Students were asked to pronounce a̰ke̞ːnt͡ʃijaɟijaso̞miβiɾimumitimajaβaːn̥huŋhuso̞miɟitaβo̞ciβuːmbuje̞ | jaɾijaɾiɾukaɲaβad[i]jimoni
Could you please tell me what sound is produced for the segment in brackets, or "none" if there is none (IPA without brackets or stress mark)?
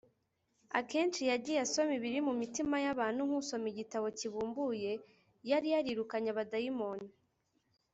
a